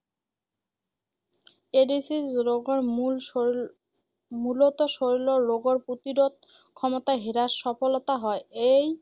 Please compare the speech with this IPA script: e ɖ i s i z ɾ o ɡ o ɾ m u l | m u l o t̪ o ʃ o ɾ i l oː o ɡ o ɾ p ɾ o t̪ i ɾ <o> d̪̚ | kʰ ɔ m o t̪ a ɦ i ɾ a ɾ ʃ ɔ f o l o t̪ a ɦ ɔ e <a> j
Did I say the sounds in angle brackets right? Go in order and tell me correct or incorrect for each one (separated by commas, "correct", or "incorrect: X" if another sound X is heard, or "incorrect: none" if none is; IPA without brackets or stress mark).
correct, incorrect: e